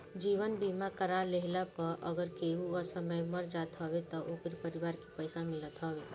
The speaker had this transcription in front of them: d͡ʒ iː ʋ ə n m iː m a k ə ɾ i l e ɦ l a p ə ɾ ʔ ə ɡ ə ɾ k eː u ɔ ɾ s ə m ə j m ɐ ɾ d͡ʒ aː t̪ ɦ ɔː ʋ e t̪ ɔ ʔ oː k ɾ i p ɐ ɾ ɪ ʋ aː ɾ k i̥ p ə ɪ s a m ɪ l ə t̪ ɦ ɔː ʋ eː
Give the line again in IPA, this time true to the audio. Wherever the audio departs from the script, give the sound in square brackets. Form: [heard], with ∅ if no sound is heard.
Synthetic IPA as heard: d͡ʒ iː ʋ ə n [b] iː m a k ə ɾ [a] l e ɦ l a p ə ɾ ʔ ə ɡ ə ɾ k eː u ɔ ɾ s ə m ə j m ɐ ɾ d͡ʒ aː t̪ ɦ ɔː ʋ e t̪ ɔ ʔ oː k ɾ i p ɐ ɾ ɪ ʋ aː ɾ k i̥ p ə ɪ s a m ɪ l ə t̪ ɦ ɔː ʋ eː